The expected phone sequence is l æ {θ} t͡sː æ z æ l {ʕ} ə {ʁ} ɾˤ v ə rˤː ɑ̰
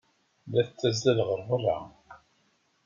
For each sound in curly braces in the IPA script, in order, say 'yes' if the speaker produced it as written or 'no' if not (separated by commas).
yes, no, no